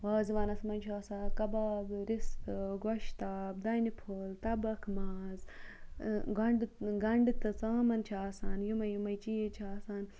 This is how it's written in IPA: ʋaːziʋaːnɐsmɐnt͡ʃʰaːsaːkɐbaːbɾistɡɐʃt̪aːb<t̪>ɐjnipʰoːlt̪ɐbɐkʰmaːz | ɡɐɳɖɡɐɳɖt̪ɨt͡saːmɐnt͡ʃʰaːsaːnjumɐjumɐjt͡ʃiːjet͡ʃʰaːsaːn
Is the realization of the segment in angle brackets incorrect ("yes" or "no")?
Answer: yes